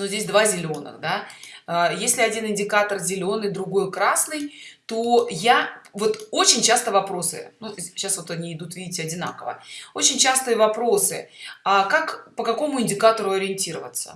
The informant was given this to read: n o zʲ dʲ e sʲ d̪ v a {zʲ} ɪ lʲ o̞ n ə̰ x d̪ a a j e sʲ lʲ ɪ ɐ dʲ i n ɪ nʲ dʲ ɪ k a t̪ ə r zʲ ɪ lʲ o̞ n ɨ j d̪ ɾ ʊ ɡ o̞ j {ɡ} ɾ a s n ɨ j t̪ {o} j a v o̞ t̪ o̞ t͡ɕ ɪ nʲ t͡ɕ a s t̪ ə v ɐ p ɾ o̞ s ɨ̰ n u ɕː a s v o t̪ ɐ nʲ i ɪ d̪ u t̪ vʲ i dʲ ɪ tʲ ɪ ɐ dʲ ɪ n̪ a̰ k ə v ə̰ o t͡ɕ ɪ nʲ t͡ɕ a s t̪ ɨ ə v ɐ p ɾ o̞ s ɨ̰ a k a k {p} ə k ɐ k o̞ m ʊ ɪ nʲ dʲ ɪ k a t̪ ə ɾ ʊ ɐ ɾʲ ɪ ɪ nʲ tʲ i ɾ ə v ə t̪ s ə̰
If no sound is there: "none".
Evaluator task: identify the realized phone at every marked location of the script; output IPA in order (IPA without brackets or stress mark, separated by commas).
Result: zʲ, k, o, p